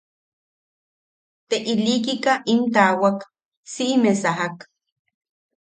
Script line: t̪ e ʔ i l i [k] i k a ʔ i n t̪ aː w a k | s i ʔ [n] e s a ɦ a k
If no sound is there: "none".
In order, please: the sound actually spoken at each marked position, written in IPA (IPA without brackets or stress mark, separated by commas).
k, m